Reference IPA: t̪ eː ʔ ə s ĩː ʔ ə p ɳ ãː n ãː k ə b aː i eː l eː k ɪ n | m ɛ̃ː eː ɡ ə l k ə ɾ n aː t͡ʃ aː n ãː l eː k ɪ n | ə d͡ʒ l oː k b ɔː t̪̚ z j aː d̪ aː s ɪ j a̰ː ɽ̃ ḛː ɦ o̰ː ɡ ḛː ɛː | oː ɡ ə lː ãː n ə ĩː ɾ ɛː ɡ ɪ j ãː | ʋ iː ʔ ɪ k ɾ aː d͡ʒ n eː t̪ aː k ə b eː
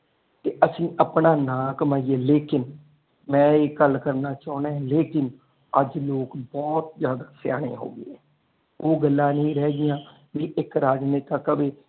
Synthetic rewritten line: t̪ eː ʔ ə s ĩː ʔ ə p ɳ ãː n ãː k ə m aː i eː l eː k ɪ n | m ɛ̃ː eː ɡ ə l k ə ɾ n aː t͡ʃ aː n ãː l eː k ɪ n | ə d͡ʒ l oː k b ɔː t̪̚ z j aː d̪ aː s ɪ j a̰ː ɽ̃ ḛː ɦ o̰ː ɡ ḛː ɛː | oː ɡ ə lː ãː n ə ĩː ɾ ɛː ɡ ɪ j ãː | ʋ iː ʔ ɪ k ɾ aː d͡ʒ n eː t̪ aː k ə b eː